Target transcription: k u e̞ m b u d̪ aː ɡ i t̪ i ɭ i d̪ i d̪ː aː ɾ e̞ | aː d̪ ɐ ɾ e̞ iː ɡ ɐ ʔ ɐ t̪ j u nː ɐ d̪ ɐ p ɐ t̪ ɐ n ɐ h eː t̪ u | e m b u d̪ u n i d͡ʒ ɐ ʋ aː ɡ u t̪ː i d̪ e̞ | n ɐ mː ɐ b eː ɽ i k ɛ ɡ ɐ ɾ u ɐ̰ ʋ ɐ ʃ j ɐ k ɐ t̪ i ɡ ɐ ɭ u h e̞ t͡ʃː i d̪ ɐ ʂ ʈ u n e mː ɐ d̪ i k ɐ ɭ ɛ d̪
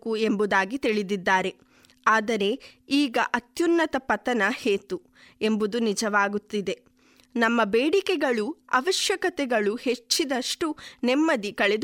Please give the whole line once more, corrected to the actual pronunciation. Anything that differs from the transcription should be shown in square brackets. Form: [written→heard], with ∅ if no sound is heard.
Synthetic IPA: k u e̞ m b u d̪ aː ɡ i t̪ i ɭ i d̪ i d̪ː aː ɾ e̞ | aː d̪ ɐ ɾ e̞ iː ɡ ɐ ʔ ɐ t̪ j u nː ɐ [d̪→t̪] ɐ p ɐ t̪ ɐ n ɐ h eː t̪ u | e m b u d̪ u n i d͡ʒ ɐ ʋ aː ɡ u t̪ː i d̪ e̞ | n ɐ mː ɐ b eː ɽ i k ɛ ɡ ɐ [ɾ→ɭ] u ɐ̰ ʋ ɐ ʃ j ɐ k ɐ t̪ [i→ɛ] ɡ ɐ ɭ u h e̞ t͡ʃː i d̪ ɐ ʂ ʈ u n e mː ɐ d̪ i k ɐ ɭ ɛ d̪